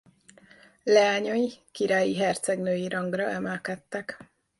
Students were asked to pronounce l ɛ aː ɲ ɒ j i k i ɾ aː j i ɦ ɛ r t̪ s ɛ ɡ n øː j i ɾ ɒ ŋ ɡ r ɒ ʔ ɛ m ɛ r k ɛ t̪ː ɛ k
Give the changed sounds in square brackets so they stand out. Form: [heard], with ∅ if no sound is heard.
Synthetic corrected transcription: l ɛ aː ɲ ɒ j i k i ɾ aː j i ɦ ɛ r t̪ s ɛ ɡ n øː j i ɾ ɒ ŋ ɡ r ɒ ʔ ɛ m ɛ [l] k ɛ t̪ː ɛ k

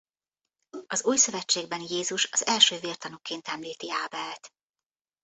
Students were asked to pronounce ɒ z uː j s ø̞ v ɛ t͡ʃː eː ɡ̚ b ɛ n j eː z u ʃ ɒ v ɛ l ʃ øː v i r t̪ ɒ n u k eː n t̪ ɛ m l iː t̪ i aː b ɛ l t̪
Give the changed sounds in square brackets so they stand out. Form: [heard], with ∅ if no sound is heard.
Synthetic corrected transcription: ɒ z uː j s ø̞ v ɛ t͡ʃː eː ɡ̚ b ɛ n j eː z u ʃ ɒ [z] ɛ l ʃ øː v i r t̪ ɒ n u k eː n t̪ ɛ m l iː t̪ i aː b ɛ l t̪

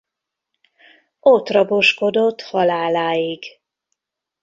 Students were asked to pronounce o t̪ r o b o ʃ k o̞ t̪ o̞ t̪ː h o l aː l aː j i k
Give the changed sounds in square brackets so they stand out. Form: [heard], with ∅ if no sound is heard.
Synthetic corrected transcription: o t̪ r [ɒ] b o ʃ k o̞ [d̪] o̞ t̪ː h [ɒ] l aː l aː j i [ɡ]

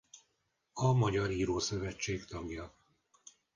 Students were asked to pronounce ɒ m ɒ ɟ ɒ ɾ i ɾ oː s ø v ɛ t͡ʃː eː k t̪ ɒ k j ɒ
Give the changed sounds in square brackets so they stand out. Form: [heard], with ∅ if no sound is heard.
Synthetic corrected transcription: ɒ m ɒ ɟ ɒ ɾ [iː] ɾ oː s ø v ɛ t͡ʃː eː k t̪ ɒ [ɡ] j ɒ

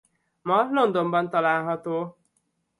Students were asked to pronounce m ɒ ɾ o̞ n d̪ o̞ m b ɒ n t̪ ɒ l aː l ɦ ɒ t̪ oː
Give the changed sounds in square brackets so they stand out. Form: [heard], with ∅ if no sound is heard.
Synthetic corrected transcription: m ɒ [l] o̞ n d̪ o̞ m b ɒ n t̪ ɒ l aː l ɦ ɒ t̪ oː

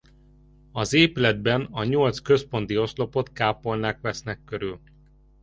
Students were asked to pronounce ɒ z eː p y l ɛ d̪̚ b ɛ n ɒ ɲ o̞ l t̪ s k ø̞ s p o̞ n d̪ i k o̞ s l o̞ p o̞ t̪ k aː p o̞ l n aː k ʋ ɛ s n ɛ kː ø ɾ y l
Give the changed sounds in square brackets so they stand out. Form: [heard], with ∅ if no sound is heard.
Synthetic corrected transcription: ɒ z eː p y l ɛ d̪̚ b ɛ n ɒ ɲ o̞ l t̪ s k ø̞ s p o̞ n [t̪] i [∅] o̞ s l o̞ p o̞ t̪ k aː p o̞ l n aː k ʋ ɛ s n ɛ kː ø ɾ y l

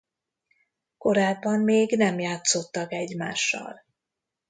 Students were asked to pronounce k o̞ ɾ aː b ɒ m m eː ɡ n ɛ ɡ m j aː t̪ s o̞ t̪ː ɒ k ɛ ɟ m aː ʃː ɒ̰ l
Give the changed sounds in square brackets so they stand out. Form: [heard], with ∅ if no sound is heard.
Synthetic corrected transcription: k o̞ ɾ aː [bː] ɒ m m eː ɡ n ɛ [∅] m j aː t̪ s o̞ t̪ː ɒ k ɛ ɟ m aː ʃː ɒ̰ l

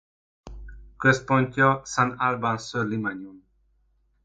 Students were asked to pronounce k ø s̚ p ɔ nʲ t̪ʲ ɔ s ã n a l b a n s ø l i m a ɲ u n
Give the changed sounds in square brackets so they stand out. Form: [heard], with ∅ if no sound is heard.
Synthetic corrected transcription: k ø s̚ p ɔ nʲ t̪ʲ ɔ s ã n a l b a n s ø l i m a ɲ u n

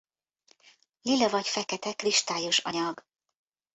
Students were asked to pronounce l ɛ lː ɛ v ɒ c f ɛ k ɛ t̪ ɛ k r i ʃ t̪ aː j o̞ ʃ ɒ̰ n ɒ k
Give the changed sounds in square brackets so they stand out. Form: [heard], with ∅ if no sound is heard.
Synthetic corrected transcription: l [i] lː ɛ v ɒ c f ɛ k ɛ t̪ ɛ k r i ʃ t̪ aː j o̞ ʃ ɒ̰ [ɲ] ɒ [ɡ]

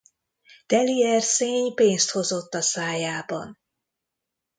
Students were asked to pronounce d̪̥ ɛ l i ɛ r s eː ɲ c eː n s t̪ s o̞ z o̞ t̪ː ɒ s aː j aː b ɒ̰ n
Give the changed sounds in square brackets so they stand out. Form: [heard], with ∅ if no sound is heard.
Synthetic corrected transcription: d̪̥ ɛ l i ɛ r s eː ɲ [p] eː n s t̪ [h] o̞ z o̞ t̪ː ɒ s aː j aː b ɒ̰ n

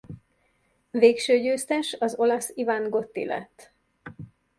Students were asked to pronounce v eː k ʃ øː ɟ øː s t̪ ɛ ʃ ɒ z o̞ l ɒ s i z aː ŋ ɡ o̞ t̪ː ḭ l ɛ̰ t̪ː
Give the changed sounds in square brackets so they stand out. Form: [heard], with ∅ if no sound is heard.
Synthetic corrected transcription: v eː k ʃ øː ɟ øː s t̪ ɛ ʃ ɒ z o̞ l ɒ s i [v] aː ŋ ɡ o̞ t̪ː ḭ l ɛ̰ t̪ː

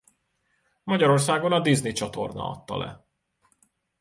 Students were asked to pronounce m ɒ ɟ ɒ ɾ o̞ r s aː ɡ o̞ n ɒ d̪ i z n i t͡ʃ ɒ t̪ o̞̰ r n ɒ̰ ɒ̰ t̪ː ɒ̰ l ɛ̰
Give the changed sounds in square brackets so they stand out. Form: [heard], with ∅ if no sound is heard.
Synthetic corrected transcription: m ɒ ɟ ɒ ɾ o̞ r s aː ɡ o̞ n ɒ d̪ i z n i t͡ʃ ɒ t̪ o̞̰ r n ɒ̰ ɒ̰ t̪ː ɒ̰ l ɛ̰

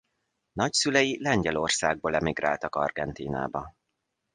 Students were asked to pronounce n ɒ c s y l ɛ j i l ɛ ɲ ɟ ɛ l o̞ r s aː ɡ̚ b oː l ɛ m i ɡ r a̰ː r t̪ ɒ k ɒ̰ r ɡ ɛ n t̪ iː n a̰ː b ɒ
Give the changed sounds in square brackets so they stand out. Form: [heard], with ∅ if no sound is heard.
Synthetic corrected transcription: n ɒ c s y l ɛ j i l ɛ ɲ ɟ ɛ l o̞ r s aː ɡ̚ b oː l ɛ m i ɡ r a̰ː [l] t̪ ɒ k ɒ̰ r ɡ ɛ n t̪ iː n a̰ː b ɒ

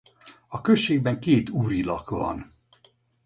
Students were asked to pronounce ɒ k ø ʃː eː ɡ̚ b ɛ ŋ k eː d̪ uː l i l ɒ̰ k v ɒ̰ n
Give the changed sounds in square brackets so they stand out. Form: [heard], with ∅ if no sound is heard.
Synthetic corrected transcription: ɒ k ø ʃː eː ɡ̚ b ɛ ŋ k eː [t̪] uː [ɾ] i l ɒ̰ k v ɒ̰ n

